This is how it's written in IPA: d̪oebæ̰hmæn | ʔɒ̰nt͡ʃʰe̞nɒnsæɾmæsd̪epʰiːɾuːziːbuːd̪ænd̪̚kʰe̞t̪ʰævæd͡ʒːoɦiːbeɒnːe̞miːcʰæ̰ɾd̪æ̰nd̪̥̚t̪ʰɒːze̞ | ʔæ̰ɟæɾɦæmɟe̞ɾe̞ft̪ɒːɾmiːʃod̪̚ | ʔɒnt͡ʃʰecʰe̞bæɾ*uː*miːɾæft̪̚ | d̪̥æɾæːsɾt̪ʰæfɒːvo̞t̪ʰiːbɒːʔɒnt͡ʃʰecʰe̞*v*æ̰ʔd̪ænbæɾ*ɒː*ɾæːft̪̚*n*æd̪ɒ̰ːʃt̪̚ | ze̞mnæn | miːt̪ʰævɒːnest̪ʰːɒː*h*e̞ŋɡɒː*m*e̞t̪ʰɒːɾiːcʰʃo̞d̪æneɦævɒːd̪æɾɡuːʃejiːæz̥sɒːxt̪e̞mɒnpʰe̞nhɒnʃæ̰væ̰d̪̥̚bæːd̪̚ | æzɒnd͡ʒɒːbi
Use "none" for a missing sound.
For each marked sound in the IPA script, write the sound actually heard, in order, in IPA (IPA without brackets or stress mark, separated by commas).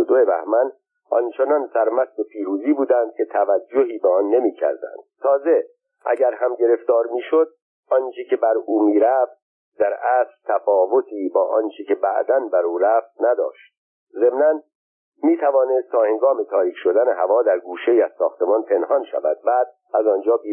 uː, b, uː, n, h, m